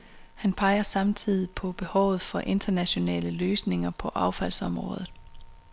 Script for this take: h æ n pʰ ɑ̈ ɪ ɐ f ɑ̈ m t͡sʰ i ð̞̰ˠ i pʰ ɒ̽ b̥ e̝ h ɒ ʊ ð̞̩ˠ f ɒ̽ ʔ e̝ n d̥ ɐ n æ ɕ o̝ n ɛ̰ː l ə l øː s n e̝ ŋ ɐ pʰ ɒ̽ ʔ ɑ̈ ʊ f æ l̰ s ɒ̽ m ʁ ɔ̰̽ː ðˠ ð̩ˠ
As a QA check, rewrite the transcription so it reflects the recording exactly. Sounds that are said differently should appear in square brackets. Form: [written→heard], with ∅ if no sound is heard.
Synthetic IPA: h æ n pʰ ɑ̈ ɪ ɐ [f→s] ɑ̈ m t͡sʰ i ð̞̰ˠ i pʰ ɒ̽ b̥ e̝ h ɒ ʊ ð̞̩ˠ f ɒ̽ ʔ e̝ n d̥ ɐ n æ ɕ o̝ n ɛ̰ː l ə l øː s n e̝ ŋ ɐ pʰ ɒ̽ ʔ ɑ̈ ʊ f æ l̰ s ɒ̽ m ʁ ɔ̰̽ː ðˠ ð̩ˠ